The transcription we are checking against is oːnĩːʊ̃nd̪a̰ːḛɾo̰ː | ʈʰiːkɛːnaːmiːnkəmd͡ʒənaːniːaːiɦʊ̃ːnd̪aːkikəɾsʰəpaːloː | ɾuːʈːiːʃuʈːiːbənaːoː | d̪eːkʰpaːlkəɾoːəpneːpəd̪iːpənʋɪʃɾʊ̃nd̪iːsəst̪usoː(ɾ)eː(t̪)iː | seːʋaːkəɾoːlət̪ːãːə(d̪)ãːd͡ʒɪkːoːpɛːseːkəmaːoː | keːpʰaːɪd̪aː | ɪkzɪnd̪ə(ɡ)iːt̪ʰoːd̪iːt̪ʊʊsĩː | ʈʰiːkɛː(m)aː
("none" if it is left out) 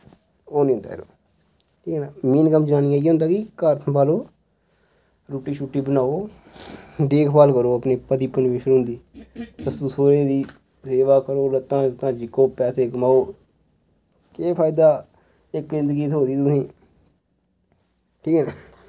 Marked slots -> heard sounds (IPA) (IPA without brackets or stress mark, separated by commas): ɾ, d̪, t̪, ɡ, n